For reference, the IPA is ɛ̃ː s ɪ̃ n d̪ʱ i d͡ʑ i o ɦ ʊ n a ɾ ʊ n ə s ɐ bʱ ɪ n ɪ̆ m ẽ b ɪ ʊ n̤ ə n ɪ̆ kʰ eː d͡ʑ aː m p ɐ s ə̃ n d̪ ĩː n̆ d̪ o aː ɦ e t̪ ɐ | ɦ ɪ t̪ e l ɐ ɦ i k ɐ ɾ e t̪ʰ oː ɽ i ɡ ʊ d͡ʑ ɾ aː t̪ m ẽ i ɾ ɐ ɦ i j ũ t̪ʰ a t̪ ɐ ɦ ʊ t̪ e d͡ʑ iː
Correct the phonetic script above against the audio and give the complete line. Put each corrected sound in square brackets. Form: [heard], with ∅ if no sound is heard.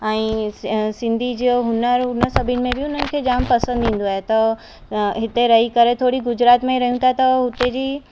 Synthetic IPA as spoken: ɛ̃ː s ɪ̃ n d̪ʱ i d͡ʑ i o ɦ ʊ n [ə] ɾ ʊ n ə s ɐ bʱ ɪ n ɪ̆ m ẽ b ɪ ʊ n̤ ə n ɪ̆ kʰ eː d͡ʑ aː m p ɐ s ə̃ n d̪ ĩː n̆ d̪ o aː ɦ e t̪ ɐ | ɦ ɪ t̪ e [ɾ] ɐ ɦ i k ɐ ɾ e t̪ʰ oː ɽ i ɡ ʊ d͡ʑ ɾ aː t̪ m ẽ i ɾ ɐ ɦ i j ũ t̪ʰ a t̪ ɐ ɦ ʊ t̪ e d͡ʑ iː